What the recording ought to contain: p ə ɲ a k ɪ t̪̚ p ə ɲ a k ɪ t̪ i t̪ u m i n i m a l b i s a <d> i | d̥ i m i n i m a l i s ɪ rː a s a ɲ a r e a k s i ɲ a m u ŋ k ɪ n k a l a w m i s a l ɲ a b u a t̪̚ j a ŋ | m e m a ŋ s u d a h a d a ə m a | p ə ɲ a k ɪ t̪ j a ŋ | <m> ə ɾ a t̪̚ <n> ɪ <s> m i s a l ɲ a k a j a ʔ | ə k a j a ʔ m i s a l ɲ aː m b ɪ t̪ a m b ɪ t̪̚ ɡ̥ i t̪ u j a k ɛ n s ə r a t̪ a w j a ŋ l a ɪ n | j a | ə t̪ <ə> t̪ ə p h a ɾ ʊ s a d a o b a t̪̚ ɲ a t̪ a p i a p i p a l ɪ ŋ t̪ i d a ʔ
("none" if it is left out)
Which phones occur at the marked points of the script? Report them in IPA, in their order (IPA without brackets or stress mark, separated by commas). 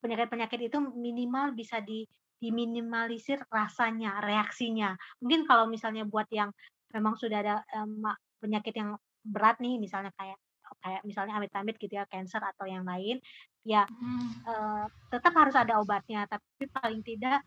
d, b, n, h, ə